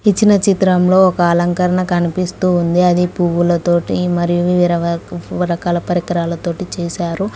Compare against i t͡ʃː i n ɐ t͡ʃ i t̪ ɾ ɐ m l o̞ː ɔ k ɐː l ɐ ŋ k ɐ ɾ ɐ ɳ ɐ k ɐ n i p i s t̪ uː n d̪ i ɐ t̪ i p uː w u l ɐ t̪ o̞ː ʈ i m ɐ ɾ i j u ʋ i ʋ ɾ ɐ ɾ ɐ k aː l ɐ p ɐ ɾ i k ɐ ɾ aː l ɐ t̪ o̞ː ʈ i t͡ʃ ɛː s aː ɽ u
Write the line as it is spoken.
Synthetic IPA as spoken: i t͡ʃː i n ɐ t͡ʃ i t̪ ɾ ɐ m l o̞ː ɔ k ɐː l ɐ ŋ k ɐ ɾ ɐ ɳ ɐ k ɐ n i p i s t̪ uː n d̪ i ɐ d̪ i p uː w u l ɐ t̪ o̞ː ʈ i m ɐ ɾ i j u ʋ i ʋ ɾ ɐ ɾ ɐ k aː l ɐ p ɐ ɾ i k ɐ ɾ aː l ɐ t̪ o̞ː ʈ i t͡ʃ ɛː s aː ɾ u

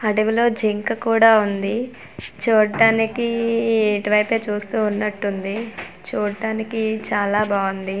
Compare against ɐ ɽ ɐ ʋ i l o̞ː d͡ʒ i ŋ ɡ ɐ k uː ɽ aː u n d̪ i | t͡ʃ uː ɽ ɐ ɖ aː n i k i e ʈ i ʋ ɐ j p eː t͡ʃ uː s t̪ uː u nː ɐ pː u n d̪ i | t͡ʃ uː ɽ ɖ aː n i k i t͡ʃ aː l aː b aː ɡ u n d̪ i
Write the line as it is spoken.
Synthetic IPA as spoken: ɐ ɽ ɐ ʋ i l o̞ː d͡ʒ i ŋ k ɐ k uː ɽ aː u n d̪ i | t͡ʃ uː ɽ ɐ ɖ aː n i k i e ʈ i ʋ ɐ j p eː t͡ʃ uː s t̪ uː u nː ɐ ʈː u n d̪ i | t͡ʃ uː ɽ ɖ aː n i k i t͡ʃ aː l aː b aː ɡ u n d̪ i

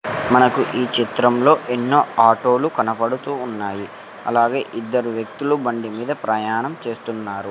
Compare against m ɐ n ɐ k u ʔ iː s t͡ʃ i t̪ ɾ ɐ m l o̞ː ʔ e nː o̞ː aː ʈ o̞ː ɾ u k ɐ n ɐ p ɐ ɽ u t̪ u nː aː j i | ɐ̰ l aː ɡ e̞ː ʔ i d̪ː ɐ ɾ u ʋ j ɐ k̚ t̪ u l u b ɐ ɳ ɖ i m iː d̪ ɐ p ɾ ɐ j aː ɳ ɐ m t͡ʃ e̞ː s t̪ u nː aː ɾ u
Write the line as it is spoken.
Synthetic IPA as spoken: m ɐ n ɐ k u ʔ iː t͡ʃ i t̪ ɾ ɐ m l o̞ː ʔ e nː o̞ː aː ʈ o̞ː l u k ɐ n ɐ p ɐ ɽ u t̪ uː nː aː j i | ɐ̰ l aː ɡ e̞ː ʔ i d̪ː ɐ ɾ u ʋ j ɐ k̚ t̪ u l u b ɐ ɳ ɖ i m iː d̪ ɐ p ɾ ɐ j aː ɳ ɐ m t͡ʃ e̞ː s t̪ u nː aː ɾ u

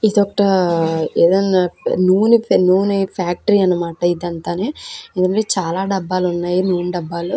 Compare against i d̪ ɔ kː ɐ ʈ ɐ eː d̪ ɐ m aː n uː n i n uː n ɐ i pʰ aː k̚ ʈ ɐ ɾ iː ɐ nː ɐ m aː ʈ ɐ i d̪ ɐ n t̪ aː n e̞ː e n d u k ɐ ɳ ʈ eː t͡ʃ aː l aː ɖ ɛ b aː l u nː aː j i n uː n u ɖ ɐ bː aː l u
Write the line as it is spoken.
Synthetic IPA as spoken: i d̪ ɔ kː ɐ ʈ ɐ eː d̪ ɐ n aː n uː n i n uː n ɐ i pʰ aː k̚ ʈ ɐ ɾ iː ɐ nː ɐ m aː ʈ ɐ i d̪ ɐ n t̪ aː n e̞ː e n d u k ɐ ɳ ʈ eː t͡ʃ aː l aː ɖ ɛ bː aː l u nː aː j i n uː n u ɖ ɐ bː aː l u

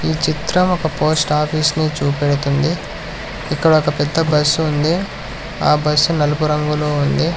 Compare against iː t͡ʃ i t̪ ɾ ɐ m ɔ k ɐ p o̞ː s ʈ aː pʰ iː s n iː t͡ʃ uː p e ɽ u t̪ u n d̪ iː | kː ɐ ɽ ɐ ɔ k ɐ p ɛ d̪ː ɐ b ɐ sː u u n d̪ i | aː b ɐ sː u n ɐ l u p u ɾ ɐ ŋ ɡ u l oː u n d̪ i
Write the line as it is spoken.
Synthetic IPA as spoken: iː t͡ʃ i t̪ ɾ ɐ m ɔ k ɐ p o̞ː s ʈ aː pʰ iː s n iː t͡ʃ uː p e ɽ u t̪ u n d̪ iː | kː ɐ ɽ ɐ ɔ k ɐ p ɛ d̪ː ɐ b ɐ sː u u n d̪ i | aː b ɐ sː u n ɐ l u p u ɾ ɐ ŋ ɡ u l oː u n d̪ i

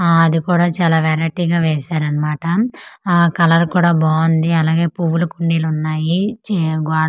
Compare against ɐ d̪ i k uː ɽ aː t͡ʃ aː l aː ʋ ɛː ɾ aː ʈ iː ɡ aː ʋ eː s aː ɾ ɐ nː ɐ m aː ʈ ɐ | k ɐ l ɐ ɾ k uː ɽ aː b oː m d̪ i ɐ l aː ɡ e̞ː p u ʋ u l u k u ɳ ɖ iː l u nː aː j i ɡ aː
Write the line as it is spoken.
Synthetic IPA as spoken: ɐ d̪ i k uː ɽ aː t͡ʃ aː l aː ʋ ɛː ɾ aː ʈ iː ɡ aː ʋ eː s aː ɾ ɐ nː ɐ m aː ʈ ɐ | k ɐ l ɐ ɾ k uː ɽ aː b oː n d̪ i ɐ l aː ɡ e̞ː p u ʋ u l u k u ɳ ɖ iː l u nː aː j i ɡ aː

